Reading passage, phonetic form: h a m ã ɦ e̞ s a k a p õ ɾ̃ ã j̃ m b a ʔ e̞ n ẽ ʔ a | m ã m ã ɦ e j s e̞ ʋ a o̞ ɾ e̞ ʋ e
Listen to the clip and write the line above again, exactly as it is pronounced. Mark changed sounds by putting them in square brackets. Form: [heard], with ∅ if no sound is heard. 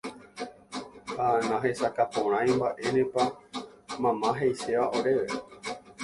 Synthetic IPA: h a [n] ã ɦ e̞ s a k a p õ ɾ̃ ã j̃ m b a ʔ e̞ n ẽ [p] a | m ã m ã ɦ e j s e̞ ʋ a o̞ ɾ e̞ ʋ e